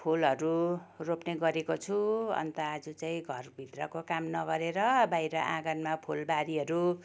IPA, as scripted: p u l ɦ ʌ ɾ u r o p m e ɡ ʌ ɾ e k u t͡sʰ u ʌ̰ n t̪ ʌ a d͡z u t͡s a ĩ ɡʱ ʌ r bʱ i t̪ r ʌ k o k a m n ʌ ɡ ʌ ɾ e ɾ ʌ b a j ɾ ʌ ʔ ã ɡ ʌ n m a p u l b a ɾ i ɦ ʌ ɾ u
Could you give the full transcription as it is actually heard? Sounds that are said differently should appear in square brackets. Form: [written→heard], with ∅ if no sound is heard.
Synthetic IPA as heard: [p→pʰ] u l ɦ ʌ ɾ u r o p [m→n] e ɡ ʌ ɾ e k [u→o] t͡sʰ u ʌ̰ n t̪ ʌ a d͡z u t͡s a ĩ ɡʱ ʌ r bʱ i t̪ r ʌ k o k a m n ʌ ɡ ʌ ɾ e ɾ ʌ b a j ɾ ʌ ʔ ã ɡ ʌ n m a [p→pʰ] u l b a ɾ i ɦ ʌ ɾ u